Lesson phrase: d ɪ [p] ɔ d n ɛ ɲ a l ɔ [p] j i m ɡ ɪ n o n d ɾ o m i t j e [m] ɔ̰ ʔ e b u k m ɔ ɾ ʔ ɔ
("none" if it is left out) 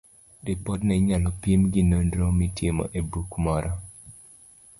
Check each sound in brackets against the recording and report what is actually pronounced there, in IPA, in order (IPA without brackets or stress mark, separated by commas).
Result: p, p, m